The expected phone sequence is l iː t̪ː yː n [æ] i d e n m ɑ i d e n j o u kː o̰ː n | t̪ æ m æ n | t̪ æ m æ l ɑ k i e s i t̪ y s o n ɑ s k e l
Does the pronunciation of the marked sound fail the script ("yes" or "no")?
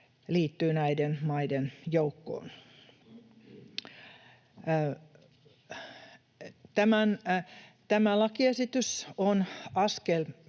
no